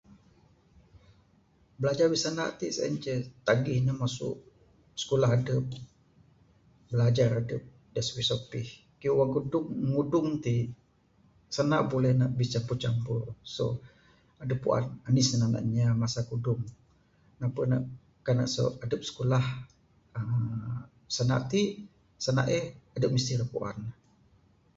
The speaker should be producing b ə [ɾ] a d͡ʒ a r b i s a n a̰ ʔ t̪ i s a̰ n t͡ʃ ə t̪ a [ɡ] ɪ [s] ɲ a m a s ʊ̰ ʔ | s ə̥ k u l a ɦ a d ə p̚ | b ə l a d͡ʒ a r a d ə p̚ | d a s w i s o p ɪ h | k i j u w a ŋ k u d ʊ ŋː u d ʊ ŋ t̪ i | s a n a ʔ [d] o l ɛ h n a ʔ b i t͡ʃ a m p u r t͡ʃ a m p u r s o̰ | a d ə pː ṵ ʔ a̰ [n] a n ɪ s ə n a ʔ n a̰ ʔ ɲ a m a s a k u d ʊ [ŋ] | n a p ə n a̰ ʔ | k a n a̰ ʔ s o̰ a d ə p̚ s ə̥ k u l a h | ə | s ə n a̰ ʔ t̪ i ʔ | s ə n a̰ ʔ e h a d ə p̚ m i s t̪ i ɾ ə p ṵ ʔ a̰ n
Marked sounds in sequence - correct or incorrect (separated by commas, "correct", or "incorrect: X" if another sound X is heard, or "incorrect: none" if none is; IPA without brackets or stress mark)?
incorrect: l, correct, incorrect: h, incorrect: b, correct, correct